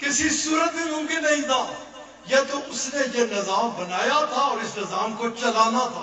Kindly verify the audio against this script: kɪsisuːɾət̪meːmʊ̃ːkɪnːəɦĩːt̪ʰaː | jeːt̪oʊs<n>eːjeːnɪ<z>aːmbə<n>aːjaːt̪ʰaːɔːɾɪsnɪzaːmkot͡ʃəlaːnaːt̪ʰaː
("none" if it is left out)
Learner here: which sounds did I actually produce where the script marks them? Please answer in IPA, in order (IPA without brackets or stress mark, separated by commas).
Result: n, z, n